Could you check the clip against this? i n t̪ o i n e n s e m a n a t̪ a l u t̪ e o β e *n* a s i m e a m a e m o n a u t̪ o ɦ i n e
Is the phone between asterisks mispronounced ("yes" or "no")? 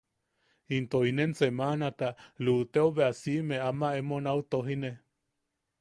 yes